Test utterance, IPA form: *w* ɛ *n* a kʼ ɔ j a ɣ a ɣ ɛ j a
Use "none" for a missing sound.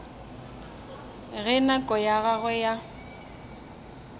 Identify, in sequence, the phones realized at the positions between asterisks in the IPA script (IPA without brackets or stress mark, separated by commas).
ɣ, n